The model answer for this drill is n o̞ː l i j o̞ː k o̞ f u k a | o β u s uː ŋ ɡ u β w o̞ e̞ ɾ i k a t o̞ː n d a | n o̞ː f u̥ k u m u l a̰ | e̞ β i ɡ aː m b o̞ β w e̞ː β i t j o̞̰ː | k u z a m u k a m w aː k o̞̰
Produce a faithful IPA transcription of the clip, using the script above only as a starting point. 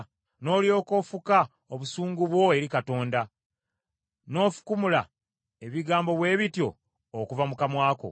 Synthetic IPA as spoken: n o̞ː l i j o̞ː k o̞ f u k a | o β u s uː ŋ ɡ u β w o̞ e̞ ɾ i k a t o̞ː n d a | n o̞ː f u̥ k u m u l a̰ | e̞ β i ɡ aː m b o̞ β w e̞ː β i t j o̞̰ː | k u v a m u k a m w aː k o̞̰